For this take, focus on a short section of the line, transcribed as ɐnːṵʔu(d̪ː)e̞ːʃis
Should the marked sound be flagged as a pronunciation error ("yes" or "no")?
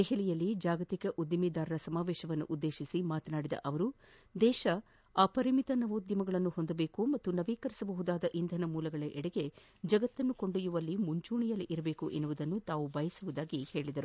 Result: no